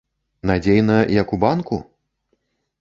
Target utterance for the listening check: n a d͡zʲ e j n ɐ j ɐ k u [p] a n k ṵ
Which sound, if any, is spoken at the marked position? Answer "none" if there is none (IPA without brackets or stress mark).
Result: b